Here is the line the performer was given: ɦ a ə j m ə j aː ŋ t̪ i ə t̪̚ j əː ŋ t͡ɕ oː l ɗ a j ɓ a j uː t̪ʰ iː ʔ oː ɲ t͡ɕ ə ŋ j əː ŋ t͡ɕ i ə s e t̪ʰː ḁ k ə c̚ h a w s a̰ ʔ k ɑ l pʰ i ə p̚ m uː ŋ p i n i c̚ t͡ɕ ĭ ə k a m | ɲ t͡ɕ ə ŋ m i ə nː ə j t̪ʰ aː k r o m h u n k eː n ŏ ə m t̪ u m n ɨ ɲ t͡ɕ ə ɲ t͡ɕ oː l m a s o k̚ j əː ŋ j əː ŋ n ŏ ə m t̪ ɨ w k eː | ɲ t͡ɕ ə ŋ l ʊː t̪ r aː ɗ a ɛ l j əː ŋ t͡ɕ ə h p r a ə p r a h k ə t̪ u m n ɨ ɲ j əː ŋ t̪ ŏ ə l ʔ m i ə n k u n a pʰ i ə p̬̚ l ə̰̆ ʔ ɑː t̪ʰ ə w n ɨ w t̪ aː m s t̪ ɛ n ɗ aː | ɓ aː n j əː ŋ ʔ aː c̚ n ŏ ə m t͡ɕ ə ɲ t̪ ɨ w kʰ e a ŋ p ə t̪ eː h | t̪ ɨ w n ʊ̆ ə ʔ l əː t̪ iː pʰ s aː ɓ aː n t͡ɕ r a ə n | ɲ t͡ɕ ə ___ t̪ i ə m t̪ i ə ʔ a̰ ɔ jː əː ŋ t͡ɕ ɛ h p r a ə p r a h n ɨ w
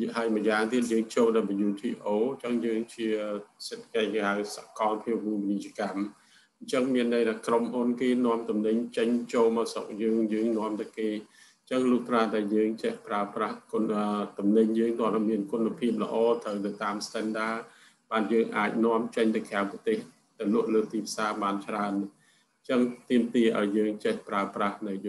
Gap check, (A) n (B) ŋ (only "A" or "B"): B